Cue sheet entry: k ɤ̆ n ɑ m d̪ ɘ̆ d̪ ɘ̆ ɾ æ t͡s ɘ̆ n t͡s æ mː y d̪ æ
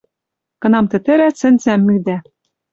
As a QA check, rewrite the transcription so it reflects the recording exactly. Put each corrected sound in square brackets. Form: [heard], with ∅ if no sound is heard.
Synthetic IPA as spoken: k ɤ̆ n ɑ m [t̪] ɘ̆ [t̪] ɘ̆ ɾ æ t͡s ɘ̆ n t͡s æ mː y d̪ æ